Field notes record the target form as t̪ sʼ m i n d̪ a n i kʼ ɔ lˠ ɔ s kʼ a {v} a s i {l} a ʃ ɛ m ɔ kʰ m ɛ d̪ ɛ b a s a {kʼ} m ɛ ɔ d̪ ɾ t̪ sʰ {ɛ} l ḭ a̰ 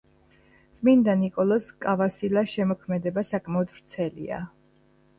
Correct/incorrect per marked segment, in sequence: correct, correct, correct, correct

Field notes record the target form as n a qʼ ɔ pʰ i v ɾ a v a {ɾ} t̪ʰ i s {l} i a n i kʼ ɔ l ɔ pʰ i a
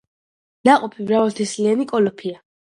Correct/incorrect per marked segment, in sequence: incorrect: l, correct

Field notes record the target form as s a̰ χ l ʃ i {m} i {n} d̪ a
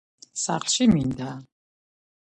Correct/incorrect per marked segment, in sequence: correct, correct

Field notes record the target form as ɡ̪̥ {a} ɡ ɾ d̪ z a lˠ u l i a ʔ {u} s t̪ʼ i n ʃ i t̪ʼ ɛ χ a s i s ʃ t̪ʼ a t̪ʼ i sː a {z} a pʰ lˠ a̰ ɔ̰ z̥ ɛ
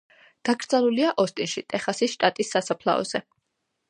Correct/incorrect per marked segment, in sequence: correct, incorrect: ɔ, incorrect: s

